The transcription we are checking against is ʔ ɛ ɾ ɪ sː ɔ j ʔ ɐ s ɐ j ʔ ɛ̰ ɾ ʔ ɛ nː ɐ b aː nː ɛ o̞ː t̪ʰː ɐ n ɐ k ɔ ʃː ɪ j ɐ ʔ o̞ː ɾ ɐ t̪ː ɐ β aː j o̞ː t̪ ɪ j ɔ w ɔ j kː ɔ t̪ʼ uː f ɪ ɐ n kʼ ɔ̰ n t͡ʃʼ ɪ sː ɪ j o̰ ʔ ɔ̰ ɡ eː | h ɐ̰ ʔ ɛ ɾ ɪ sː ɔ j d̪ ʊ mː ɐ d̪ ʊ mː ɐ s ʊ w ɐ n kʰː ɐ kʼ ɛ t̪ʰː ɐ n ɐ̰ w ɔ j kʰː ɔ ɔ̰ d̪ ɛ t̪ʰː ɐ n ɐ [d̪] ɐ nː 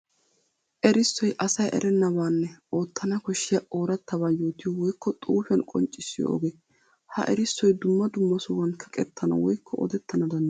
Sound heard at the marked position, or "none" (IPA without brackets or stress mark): d̪